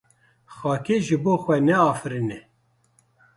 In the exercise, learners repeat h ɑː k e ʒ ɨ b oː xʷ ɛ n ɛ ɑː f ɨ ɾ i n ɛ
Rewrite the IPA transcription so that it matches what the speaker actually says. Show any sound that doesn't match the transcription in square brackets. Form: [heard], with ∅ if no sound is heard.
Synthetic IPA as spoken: [x] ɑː k e ʒ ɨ b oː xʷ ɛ n ɛ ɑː f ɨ ɾ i n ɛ